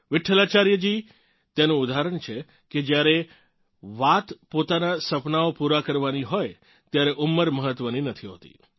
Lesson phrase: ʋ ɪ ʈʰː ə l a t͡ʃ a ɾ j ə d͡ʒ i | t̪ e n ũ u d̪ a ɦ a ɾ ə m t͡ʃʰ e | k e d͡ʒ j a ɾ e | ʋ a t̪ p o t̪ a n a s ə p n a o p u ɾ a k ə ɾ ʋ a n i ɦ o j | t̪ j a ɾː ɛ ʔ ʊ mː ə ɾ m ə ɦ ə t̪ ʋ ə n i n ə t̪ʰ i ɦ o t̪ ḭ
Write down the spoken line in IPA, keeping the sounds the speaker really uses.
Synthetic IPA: ʋ ɪ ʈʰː ə l a t͡ʃ a ɾ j ə d͡ʒ i | t̪ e n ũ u d̪ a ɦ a ɾ ə ɳ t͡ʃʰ e | k e d͡ʒ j a ɾ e | ʋ a t̪ p o t̪ a n a s ə p n a o p u ɾ a k ə ɾ ʋ a n i ɦ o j | t̪ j a ɾ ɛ ʔ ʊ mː ə ɾ m ə ɦ ə t̪ ʋ ə n i n ə t̪ʰ i ɦ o t̪ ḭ